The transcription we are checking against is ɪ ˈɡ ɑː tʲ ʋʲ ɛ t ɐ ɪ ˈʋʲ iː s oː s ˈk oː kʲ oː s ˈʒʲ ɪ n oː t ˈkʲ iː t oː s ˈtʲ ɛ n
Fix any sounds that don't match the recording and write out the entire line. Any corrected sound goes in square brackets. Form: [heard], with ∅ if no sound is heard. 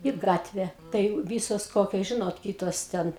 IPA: ɪ ˈɡ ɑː tʲ ʋʲ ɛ t ɐ ɪ ˈʋʲ iː s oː s ˈk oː kʲ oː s ˈʒʲ ɪ n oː t ˈkʲ iː t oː s ˈtʲ ɛ n